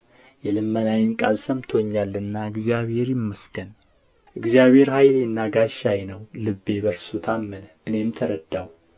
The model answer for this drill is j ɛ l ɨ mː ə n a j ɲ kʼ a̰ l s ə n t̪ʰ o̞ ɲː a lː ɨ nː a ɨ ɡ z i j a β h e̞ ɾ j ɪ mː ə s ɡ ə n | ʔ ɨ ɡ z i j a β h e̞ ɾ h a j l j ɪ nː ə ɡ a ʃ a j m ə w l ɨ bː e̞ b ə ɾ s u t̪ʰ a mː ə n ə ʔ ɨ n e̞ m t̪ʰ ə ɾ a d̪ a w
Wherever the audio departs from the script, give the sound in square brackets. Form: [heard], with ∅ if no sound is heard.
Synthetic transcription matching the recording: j ɛ l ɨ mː ə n a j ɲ kʼ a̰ l s ə [m] t̪ʰ o̞ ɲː a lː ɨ nː a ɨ ɡ z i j a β h e̞ ɾ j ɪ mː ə s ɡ ə n | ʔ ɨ ɡ z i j a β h e̞ ɾ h a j l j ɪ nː [a] ɡ a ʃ a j [n] ə w l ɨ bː e̞ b ə ɾ s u t̪ʰ a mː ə n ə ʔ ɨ n e̞ m t̪ʰ ə ɾ [ə] d̪ a w